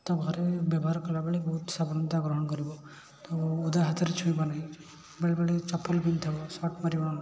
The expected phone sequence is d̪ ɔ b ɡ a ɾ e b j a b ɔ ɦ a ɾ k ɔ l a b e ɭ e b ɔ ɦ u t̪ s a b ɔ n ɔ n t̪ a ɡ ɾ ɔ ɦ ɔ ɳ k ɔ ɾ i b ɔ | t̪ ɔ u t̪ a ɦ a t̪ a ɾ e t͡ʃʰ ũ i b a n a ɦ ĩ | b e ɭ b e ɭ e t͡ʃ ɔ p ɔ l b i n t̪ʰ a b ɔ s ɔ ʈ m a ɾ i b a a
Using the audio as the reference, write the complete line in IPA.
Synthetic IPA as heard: t̪ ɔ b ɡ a ɾ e b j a b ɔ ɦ a ɾ k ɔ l a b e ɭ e b ɔ ɦ u t̪ s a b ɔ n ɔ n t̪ a ɡ ɾ ɔ ɦ ɔ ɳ k ɔ ɾ i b ɔ | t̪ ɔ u d̪ a ɦ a t̪ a ɾ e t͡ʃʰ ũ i b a n a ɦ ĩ | b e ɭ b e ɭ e t͡ʃ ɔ p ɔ l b i n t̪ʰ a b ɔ s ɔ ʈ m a ɾ i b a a